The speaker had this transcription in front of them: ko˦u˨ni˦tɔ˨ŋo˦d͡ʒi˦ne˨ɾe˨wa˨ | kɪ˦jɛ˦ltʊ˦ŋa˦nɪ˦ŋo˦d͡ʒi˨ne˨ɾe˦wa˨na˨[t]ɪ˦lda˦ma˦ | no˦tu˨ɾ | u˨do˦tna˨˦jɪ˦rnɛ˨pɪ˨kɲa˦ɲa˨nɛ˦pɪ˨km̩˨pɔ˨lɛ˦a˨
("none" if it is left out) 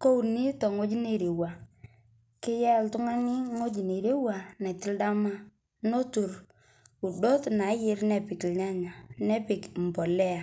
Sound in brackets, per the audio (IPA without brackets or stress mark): t